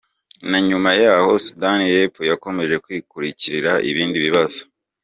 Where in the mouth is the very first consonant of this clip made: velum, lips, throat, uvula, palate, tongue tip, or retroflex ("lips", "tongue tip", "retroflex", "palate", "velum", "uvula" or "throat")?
tongue tip